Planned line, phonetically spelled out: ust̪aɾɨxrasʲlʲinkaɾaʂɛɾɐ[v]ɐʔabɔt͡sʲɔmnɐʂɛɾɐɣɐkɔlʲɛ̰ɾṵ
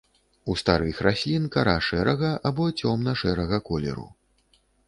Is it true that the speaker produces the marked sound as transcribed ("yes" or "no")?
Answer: no